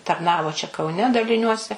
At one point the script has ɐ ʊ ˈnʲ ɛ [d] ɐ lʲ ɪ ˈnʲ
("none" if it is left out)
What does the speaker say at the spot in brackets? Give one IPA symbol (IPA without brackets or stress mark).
d